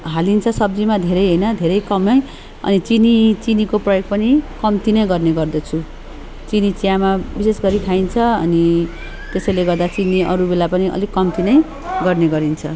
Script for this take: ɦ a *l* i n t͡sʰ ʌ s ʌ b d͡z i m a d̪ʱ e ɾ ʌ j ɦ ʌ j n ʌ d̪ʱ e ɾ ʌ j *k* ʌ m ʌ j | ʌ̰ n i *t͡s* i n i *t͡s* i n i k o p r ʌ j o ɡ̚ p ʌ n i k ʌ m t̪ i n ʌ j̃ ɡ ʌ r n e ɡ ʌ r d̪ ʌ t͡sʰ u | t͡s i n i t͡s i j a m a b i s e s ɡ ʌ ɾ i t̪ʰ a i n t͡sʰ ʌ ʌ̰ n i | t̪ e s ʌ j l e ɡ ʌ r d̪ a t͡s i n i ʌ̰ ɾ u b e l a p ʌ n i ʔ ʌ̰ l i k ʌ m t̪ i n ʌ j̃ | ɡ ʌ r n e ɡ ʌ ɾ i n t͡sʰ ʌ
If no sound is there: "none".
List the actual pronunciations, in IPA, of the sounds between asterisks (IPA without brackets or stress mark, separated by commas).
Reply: l, k, t͡s, t͡s